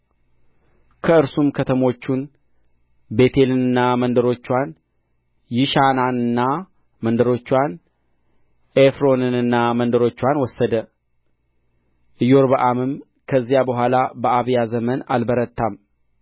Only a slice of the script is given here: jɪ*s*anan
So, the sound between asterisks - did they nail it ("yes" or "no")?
no